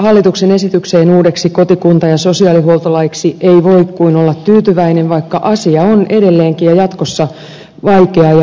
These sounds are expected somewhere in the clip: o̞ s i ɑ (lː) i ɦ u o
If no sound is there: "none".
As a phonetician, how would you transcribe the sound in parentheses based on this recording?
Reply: l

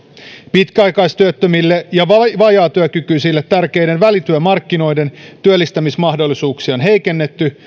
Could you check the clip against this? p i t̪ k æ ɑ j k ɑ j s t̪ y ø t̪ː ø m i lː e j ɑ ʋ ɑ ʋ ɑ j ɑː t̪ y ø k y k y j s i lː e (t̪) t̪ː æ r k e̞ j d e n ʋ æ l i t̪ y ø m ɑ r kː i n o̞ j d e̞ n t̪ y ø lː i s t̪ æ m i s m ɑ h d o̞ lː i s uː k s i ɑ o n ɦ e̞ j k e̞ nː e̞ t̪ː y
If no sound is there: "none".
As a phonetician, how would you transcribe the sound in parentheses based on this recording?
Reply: t̪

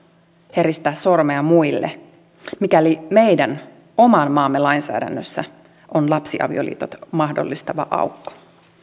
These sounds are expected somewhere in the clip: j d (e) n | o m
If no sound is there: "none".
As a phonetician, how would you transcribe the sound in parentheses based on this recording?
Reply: æ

